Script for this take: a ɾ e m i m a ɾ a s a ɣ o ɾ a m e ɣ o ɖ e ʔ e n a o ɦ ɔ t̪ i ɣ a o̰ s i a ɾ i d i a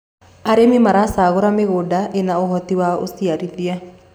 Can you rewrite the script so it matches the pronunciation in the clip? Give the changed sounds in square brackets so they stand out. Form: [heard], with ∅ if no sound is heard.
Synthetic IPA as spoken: a ɾ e m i m a ɾ a s a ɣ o ɾ a m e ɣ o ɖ [a] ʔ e n a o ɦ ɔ t̪ i [w] a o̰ s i a ɾ i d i a